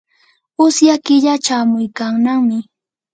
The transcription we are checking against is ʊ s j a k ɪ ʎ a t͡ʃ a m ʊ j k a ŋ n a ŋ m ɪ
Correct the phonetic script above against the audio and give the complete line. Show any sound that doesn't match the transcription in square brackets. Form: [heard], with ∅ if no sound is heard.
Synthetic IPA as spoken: ʊ s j a k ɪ ʎ a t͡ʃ a m ʊ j k a ŋ n a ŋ m ɪ